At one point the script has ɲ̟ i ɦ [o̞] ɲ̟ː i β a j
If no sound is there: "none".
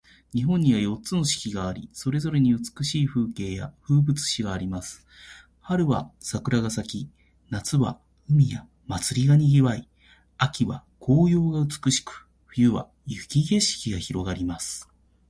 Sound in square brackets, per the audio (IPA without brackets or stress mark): õ̞